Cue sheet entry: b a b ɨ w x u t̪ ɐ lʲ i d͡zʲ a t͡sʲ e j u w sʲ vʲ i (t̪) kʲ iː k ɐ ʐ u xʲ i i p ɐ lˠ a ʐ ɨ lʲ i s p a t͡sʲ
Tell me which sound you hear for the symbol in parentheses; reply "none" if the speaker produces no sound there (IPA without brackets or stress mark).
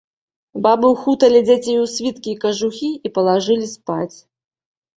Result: t̪